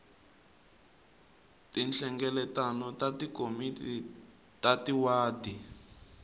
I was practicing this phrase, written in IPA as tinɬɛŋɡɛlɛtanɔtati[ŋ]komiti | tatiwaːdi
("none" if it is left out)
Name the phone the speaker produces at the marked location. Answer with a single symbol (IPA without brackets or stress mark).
none